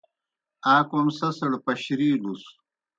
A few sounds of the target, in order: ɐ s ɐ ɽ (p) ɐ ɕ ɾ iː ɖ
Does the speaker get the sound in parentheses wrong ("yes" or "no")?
no